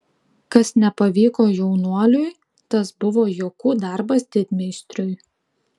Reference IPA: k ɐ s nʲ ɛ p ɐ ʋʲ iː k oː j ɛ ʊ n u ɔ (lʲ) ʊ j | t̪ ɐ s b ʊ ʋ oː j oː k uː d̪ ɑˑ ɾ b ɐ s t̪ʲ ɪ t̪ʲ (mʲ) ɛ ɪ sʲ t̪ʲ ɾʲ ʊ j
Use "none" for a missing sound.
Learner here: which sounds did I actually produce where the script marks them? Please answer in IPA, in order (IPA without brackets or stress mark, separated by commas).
lʲ, mʲ